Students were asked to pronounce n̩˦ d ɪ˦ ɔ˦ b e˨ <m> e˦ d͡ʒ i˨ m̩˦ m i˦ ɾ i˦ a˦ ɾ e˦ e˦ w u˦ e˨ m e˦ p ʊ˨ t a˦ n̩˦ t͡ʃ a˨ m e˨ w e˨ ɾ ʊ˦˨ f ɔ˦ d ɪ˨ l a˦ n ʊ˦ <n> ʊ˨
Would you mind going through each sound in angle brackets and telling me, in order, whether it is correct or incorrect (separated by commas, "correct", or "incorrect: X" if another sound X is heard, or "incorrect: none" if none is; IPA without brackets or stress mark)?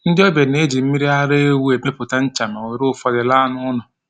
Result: incorrect: n, correct